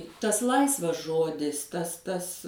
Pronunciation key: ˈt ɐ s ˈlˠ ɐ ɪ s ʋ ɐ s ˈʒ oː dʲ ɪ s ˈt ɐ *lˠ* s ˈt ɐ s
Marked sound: incorrect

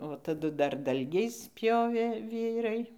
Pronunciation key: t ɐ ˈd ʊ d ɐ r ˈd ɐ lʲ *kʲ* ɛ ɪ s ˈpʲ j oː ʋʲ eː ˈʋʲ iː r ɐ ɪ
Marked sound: incorrect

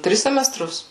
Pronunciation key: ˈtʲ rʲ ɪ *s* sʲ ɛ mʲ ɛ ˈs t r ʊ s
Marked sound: correct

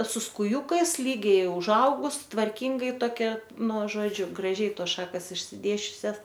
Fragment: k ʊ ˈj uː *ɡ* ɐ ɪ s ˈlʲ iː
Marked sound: incorrect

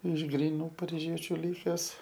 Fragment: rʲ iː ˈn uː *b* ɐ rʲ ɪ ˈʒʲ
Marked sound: incorrect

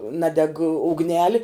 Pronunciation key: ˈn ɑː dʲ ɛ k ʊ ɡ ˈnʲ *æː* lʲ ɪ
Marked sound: correct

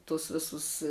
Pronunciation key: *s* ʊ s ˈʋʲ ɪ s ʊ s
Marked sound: incorrect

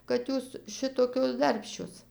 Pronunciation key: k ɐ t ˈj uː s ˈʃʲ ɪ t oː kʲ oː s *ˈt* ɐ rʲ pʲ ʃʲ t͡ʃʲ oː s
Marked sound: incorrect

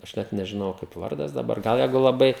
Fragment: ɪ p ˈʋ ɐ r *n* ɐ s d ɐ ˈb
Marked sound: incorrect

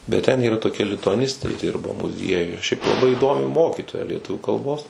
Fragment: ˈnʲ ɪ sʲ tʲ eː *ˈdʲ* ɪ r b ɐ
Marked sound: correct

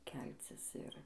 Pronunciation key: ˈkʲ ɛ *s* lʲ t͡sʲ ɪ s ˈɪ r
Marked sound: incorrect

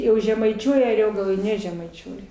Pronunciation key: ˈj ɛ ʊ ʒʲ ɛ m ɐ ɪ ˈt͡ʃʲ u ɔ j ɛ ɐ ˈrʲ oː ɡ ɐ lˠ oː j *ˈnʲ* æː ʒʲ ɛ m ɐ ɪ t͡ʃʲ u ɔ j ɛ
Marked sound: correct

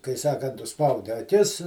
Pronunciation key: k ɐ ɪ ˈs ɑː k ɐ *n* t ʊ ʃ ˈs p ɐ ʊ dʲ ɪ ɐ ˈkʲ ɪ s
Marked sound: correct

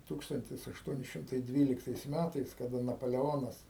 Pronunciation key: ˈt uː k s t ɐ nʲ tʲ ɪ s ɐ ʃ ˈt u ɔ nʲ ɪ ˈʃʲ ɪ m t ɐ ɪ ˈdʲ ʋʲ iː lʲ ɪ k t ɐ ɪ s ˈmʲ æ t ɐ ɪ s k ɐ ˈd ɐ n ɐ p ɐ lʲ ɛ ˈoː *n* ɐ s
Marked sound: correct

